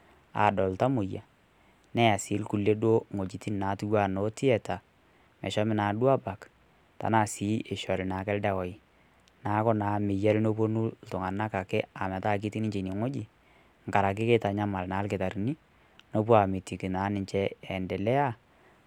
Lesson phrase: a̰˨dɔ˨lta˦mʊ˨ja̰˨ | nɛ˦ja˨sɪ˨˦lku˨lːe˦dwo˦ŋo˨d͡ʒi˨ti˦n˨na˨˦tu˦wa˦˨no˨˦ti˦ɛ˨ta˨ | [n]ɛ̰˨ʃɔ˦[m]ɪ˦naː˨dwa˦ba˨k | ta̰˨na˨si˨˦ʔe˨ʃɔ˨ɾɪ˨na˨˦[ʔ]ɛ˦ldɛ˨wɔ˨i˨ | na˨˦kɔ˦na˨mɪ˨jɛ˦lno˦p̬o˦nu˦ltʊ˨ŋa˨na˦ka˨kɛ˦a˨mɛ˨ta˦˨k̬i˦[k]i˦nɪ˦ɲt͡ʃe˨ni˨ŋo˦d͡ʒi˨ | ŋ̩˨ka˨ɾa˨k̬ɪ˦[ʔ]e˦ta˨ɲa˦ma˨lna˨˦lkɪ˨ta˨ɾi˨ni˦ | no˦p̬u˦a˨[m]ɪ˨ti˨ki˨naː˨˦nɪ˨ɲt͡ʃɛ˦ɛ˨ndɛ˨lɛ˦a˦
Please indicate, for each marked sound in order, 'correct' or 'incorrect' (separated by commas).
incorrect, correct, incorrect, incorrect, incorrect, correct